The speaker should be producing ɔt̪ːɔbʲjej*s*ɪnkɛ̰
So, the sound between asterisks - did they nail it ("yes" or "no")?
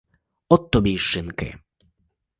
no